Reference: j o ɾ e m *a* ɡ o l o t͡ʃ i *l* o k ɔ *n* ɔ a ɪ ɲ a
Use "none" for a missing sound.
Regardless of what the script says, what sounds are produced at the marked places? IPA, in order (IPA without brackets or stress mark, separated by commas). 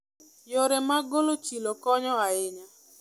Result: a, l, ɲ